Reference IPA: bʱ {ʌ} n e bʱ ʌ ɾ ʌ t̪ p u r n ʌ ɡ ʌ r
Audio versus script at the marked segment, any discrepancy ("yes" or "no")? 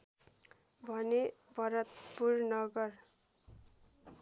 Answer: no